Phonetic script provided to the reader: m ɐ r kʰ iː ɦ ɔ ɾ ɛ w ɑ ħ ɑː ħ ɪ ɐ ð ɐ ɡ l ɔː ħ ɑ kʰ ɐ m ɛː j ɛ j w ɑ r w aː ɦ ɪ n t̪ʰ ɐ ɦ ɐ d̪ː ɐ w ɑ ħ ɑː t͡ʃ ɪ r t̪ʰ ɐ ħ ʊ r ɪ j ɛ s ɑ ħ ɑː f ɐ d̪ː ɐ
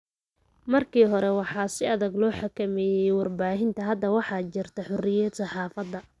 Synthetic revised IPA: m ɐ r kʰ iː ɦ ɔ ɾ ɛ w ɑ ħ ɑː s ɪ ɐ ð ɐ ɡ l ɔː ħ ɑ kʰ ɐ m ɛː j ɛ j w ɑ r b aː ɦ ɪ n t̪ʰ ɐ ɦ ɐ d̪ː ɐ w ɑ ħ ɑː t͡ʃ ɪ r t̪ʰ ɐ ħ ʊ r ɪ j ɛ s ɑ ħ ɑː f ɐ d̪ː ɐ